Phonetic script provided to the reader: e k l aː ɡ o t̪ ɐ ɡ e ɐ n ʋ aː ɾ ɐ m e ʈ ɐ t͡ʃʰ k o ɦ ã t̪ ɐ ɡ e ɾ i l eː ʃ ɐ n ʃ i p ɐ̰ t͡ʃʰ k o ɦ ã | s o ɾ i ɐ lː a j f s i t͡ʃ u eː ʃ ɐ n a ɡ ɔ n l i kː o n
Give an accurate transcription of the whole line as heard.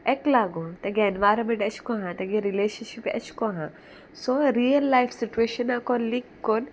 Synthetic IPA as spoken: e k l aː ɡ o t̪ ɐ ɡ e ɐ n ʋ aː ɾ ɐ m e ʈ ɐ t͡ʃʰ k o ɦ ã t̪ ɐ ɡ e ɾ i l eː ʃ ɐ n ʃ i p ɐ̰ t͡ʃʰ k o ɦ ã | s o ɾ i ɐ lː a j f s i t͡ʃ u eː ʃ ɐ n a k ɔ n l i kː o n

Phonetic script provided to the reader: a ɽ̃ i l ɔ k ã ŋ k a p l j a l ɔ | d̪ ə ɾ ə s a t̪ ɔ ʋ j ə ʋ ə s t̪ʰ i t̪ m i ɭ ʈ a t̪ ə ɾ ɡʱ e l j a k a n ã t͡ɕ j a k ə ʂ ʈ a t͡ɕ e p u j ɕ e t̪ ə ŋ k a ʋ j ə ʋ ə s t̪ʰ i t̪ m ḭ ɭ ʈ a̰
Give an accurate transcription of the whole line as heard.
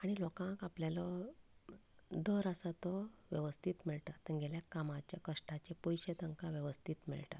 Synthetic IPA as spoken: a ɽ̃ i l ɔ k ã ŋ k a p l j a l ɔ | d̪ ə ɾ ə s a t̪ ɔ ʋ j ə ʋ ə s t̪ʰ i t̪ m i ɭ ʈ a t̪ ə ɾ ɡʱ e l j a k a m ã t͡ɕ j a k ə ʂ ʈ a t͡ɕ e p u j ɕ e t̪ ə ŋ k a ʋ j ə ʋ ə s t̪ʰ i t̪ m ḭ ɭ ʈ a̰

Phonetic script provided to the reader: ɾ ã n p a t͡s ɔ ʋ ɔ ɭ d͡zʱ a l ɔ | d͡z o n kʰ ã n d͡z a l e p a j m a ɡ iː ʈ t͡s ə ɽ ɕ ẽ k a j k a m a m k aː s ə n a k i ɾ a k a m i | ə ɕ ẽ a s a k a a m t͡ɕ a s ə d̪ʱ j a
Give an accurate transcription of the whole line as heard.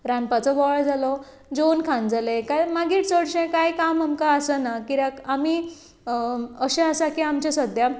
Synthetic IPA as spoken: ɾ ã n p a t͡s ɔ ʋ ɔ ɭ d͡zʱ a l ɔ | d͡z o n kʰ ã n d͡z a l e k a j m a ɡ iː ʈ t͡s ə ɽ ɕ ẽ k a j k a m a m k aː s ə n a k i ɾ a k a m i | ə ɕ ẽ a s a k i a m t͡ɕ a s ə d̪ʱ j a

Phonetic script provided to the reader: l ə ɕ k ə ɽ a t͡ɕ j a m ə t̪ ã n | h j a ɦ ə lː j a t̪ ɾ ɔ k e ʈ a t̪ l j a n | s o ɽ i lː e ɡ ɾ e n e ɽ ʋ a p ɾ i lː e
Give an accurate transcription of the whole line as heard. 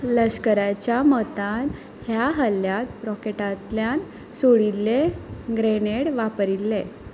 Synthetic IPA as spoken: l ə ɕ k ə ɾ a t͡ɕ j a m ə t̪ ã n | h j a ɦ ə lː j a t̪ ɾ ɔ k e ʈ a t̪ l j a n | s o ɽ i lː e ɡ ɾ e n e ɽ ʋ a p ɾ i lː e

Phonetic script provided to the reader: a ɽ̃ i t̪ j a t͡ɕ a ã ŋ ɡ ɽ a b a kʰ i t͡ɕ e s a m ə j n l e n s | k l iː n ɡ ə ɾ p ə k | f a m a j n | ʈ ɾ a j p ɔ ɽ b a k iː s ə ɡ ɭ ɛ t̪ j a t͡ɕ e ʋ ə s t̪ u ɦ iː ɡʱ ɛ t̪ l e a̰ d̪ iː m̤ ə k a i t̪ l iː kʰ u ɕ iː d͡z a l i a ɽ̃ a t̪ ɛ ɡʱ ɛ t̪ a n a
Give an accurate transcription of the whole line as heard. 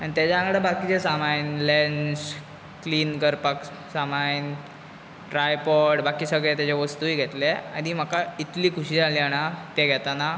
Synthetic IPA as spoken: a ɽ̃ i t̪ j a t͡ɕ a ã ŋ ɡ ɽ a b a k i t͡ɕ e s a m a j n l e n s | k l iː n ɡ ə ɾ p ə k | s a m a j n | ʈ ɾ a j p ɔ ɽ b a k iː s ə ɡ ɭ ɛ t̪ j a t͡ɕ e ʋ ə s t̪ u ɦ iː ɡʱ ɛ t̪ l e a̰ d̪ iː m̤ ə k a i t̪ l iː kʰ u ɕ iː d͡z a l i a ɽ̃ a t̪ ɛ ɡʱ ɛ t̪ a n a

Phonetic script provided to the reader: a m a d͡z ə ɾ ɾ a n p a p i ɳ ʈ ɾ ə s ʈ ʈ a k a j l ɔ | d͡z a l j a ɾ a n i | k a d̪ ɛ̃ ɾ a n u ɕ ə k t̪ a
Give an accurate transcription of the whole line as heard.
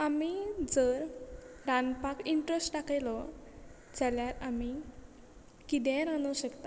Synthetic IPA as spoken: a m i d͡z ə ɾ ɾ a n p a k i ɳ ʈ ɾ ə s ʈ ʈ a k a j l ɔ | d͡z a l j a ɾ a m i | k i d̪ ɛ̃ ɾ a n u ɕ ə k t̪ a

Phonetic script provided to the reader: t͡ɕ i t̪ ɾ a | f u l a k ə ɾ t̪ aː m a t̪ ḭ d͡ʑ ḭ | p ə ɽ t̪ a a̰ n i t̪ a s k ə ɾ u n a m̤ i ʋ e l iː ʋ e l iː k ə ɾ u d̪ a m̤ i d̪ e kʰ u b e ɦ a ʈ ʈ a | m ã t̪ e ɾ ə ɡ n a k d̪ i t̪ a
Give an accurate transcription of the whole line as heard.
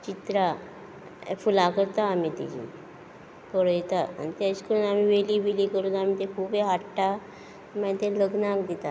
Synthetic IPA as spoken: t͡ɕ i t̪ ɾ a | f u l a k ə ɾ t̪ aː m i t̪ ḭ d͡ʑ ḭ | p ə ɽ t̪ a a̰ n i t̪ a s k ə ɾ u n a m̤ i ʋ e l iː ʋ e l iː k ə ɾ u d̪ a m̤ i t̪ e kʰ u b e ɦ a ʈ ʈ a | m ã t̪ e l ə ɡ n a k d̪ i t̪ a

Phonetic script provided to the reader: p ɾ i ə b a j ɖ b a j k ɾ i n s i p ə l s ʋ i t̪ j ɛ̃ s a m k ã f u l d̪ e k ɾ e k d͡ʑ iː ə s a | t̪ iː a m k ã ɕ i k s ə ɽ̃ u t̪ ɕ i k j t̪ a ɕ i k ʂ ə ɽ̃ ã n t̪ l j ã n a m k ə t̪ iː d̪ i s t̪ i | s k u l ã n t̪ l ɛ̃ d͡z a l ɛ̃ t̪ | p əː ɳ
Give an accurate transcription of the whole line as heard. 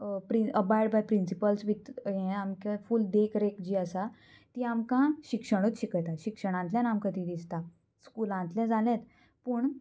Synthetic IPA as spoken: p ɾ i ə b a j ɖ b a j p ɾ i n s i p ə l s ʋ i t̪ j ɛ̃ a m k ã f u l d̪ e k ɾ e k d͡ʑ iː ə s a | t̪ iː a m k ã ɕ i k ʂ ə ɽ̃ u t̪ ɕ i k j t̪ a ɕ i k ʂ ə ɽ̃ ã n t̪ l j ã n a m k ə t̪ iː d̪ i s t̪ a | s k u l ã n t̪ l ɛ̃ d͡z a l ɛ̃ t̪ | p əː ɳ

